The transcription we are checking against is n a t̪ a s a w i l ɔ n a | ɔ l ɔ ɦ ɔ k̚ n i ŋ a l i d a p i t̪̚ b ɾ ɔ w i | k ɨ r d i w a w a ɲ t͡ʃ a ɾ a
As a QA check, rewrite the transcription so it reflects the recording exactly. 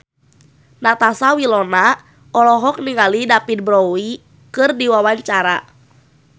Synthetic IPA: n a t̪ a s a w i l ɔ n a | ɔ l ɔ ɦ ɔ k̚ n i ŋ a l i d a p i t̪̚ b ɾ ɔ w i | k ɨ r d i w a w a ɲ t͡ʃ a ɾ a